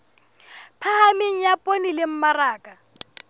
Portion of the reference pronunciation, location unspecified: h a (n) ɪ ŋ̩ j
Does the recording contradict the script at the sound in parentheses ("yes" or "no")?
yes